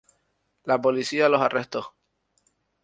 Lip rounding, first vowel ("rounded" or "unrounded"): unrounded